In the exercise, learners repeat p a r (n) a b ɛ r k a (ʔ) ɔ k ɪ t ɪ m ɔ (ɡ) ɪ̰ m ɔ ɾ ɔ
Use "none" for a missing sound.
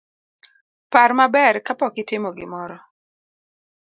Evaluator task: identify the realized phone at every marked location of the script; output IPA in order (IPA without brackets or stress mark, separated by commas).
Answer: m, p, ɡ